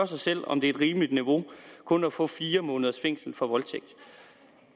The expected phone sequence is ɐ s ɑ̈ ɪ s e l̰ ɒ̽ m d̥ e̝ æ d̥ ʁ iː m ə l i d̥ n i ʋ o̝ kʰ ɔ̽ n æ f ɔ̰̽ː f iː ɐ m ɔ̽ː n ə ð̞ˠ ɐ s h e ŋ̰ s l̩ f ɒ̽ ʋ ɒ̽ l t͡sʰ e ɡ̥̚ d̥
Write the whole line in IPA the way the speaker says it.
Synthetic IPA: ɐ s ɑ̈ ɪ s e l̰ ɒ̽ m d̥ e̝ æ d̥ ʁ iː m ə l i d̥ n i ʋ o̝ kʰ ɔ̽ n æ f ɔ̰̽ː f iː ɐ m ɔ̽ː n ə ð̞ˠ ɐ s f e ŋ̰ s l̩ f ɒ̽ ʋ ɒ̽ l t͡sʰ e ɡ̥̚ d̥